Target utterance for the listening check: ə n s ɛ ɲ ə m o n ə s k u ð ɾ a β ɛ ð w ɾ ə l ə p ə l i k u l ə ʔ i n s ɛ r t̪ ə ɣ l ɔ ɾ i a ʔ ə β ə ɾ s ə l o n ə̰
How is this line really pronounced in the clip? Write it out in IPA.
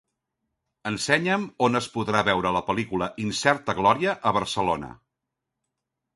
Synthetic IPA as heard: ə n s ɛ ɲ ə m o n ə s p u ð ɾ a β ɛ w ɾ ə l ə p ə l i k u l ə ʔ i n s ɛ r t̪ ə ɣ l ɔ ɾ i ə ʔ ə β ə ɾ s ə l o n ə̰